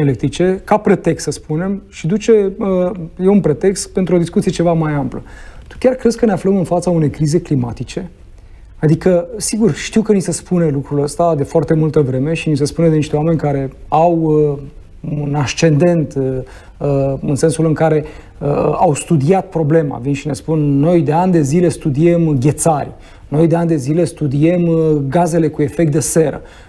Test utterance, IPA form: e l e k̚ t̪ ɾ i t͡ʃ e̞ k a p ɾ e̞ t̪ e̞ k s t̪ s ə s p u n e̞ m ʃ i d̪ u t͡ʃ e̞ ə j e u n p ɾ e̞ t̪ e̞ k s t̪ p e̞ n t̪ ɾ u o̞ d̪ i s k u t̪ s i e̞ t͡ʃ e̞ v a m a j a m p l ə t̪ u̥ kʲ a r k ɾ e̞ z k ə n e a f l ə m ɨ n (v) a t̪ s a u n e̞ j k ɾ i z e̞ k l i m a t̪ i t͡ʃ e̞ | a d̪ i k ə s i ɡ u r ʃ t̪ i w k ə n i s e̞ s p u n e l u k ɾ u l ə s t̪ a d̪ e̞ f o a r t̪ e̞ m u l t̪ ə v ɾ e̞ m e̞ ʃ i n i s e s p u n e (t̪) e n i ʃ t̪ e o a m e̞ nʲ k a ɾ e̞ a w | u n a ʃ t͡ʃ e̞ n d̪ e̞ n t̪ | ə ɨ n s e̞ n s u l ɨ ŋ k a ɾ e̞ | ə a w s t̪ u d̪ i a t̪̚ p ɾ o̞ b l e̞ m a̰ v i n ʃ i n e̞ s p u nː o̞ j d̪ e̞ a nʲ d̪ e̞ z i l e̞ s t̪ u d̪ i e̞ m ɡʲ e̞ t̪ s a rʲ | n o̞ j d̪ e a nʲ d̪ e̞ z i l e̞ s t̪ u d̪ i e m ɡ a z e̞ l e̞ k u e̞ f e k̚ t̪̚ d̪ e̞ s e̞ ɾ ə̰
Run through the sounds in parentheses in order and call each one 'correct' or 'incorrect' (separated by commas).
incorrect, incorrect